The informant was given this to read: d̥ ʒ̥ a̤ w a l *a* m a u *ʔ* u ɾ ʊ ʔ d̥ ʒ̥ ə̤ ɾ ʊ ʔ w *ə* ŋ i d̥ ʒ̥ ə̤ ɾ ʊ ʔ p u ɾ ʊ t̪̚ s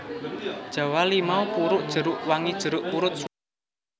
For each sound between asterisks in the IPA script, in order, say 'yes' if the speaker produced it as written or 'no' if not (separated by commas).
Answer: no, no, no